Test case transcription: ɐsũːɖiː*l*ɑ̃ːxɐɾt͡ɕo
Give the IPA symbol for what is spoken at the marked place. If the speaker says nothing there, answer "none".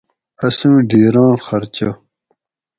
ɾ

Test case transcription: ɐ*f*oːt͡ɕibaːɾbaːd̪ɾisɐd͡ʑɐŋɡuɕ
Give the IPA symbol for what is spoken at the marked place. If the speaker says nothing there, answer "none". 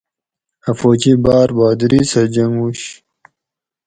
f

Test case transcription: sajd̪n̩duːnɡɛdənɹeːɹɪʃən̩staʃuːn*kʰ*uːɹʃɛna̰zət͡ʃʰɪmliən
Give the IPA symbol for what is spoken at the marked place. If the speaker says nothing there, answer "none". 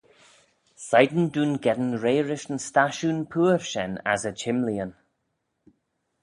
pʰ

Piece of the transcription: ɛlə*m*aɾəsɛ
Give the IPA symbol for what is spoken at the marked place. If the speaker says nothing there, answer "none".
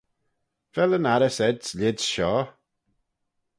n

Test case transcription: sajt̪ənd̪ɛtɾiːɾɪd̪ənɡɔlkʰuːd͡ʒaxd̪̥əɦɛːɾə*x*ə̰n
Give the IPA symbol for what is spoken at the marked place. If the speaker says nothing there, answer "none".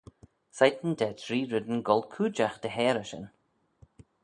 ʃ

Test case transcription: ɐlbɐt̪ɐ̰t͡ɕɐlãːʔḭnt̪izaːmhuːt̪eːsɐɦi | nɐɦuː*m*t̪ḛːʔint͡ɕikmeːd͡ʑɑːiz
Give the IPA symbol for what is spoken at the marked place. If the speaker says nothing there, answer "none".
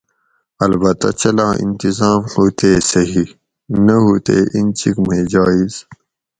none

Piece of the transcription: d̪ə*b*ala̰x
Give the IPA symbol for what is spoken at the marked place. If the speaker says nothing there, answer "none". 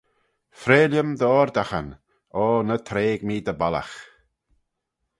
b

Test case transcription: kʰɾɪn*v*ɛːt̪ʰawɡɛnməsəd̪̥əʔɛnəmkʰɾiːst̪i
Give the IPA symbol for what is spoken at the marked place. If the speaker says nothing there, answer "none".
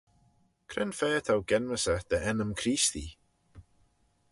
f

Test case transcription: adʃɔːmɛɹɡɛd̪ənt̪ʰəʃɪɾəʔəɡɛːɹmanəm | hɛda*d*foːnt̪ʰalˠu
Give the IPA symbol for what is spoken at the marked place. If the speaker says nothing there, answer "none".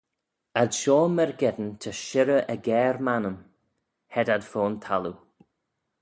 d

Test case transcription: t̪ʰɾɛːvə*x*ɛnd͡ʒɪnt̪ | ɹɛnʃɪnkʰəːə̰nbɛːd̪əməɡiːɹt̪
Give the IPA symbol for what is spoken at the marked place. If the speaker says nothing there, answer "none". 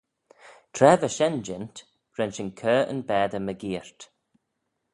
ʃ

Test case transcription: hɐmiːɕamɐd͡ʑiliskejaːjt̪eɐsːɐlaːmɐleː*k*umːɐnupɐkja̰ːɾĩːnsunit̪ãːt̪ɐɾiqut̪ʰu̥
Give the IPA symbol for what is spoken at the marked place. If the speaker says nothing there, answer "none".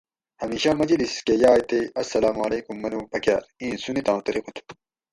k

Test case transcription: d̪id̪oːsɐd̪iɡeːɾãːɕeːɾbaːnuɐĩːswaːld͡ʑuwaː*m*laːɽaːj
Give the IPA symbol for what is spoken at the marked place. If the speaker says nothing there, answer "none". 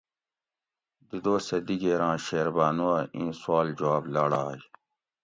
b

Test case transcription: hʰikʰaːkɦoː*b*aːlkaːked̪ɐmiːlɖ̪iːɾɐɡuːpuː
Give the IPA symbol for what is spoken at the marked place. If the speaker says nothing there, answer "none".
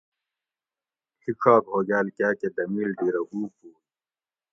ɡ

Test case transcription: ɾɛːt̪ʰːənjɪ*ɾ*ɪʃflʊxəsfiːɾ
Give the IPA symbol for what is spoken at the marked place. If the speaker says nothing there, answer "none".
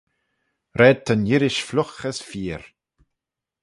ɾ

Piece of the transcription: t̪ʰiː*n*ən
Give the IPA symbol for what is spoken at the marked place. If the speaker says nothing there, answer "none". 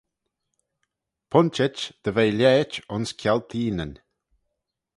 n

